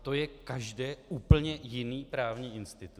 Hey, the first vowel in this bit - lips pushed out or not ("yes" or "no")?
yes